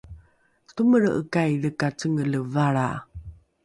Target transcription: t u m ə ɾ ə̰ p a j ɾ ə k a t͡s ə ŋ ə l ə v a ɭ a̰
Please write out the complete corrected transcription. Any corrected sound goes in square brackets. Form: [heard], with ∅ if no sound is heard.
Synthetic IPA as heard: t u m ə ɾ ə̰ [k] a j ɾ ə k a t͡s ə ŋ ə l ə v a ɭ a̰